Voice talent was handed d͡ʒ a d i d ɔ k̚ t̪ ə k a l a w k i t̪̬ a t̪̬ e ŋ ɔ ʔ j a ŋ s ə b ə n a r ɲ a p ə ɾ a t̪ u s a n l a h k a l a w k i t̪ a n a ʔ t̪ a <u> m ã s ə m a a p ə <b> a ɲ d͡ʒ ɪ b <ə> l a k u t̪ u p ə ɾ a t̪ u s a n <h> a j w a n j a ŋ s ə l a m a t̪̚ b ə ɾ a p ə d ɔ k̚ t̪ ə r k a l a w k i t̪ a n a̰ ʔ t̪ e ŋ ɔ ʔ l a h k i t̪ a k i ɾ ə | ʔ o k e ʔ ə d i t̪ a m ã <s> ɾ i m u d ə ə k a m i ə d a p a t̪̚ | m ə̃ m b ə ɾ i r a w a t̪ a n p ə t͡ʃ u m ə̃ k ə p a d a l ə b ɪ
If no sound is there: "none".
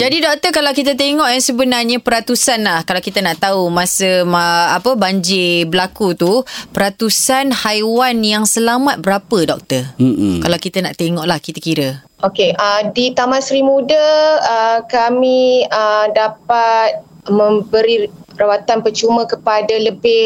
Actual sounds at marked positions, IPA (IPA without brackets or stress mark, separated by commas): u, b, ə, h, s